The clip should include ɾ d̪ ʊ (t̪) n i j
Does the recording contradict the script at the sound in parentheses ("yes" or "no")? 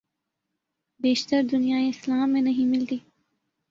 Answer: yes